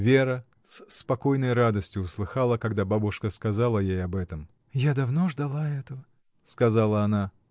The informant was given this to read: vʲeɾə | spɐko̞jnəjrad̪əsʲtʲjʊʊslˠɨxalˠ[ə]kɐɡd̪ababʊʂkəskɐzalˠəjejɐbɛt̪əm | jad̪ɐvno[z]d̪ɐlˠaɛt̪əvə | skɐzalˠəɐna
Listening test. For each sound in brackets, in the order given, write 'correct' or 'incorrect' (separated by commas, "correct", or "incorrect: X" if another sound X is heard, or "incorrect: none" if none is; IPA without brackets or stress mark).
correct, incorrect: ʐ